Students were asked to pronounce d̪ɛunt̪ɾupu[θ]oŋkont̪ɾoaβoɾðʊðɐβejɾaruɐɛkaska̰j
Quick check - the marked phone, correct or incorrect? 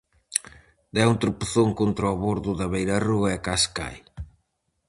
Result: correct